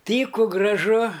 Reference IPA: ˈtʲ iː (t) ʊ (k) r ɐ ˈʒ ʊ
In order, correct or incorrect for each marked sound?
incorrect, incorrect

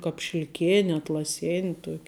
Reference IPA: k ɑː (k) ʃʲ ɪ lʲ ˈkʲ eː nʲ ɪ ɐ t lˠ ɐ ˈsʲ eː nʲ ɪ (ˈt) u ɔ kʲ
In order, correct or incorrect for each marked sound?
incorrect, correct

